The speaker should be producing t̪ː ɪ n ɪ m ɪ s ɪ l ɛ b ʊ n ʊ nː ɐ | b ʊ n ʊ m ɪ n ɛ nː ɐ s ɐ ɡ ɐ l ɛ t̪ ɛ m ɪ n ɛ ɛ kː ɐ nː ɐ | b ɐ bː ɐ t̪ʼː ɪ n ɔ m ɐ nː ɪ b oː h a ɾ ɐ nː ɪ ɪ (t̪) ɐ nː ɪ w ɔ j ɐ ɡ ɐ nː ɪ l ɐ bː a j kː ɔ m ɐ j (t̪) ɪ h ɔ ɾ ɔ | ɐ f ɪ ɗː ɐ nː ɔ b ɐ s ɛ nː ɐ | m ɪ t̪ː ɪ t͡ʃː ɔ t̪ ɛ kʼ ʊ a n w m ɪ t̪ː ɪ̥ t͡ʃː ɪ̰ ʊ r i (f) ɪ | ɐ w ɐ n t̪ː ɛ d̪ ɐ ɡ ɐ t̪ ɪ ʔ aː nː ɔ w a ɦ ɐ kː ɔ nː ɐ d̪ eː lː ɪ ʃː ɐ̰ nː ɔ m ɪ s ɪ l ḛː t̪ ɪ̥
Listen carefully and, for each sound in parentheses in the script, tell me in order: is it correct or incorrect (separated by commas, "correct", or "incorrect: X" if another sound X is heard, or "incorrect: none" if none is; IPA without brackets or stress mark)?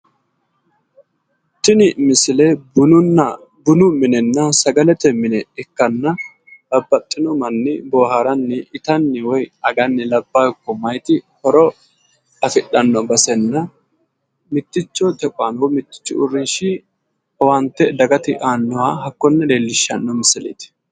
correct, correct, incorrect: ʃ